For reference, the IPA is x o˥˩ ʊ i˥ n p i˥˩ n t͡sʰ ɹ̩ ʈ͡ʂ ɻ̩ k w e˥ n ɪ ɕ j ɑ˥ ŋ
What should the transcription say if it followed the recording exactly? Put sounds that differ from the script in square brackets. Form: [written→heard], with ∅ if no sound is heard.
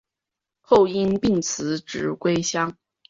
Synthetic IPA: x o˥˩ ʊ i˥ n p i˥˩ [n→ŋ] t͡sʰ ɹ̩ ʈ͡ʂ ɻ̩ k w e˥ [n→∅] ɪ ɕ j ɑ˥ ŋ